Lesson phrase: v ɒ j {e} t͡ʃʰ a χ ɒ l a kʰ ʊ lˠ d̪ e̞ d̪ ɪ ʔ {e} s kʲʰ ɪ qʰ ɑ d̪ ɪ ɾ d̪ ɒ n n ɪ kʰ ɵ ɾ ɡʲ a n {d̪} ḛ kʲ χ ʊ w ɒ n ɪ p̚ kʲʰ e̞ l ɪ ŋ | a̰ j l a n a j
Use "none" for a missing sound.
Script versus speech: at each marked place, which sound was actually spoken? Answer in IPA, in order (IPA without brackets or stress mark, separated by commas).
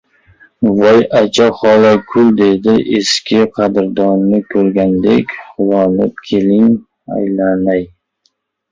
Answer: a, e, d̪